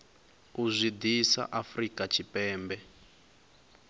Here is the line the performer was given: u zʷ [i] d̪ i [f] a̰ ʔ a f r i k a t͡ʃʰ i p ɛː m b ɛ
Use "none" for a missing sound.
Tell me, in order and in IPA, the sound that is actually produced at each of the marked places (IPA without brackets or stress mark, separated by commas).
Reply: i, s